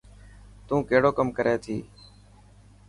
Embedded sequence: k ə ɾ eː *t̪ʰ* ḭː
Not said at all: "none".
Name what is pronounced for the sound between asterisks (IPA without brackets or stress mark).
t̪ʰ